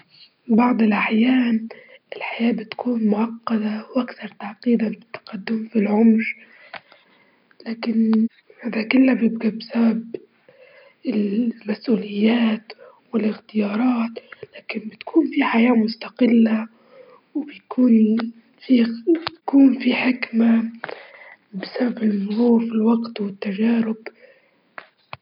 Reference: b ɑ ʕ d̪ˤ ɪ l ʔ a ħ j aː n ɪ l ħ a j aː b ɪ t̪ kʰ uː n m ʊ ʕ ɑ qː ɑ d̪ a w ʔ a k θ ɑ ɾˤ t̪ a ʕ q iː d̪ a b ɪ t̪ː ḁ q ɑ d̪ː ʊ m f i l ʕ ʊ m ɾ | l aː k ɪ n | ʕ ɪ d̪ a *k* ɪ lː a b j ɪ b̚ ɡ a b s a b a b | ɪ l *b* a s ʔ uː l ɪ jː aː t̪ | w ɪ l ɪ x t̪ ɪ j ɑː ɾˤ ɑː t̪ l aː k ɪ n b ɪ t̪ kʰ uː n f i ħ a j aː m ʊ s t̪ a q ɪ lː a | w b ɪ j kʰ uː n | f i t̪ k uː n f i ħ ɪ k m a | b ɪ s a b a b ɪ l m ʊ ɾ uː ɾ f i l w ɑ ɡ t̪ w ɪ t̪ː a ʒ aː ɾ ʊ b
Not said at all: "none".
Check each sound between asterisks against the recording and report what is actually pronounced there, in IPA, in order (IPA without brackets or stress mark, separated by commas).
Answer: k, m